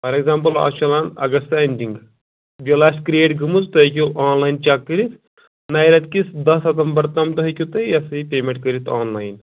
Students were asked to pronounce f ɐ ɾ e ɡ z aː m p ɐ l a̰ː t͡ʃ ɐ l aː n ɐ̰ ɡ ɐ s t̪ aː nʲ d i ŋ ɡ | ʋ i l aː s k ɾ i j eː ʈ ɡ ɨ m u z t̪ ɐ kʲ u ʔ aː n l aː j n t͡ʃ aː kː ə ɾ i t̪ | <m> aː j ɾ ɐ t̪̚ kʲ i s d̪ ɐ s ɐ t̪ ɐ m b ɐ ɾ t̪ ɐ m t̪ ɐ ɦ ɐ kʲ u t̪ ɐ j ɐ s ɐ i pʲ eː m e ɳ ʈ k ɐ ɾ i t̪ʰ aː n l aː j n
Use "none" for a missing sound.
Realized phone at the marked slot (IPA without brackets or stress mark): n